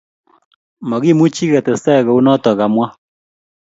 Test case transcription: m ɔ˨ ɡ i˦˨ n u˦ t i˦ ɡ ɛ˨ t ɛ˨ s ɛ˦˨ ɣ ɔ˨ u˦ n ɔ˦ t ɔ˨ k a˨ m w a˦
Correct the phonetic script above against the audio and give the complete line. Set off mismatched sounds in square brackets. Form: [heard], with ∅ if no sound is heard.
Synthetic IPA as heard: m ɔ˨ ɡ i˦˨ [m] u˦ [t͡ʃ] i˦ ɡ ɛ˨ t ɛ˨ s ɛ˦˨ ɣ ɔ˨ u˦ n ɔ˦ t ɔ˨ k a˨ m w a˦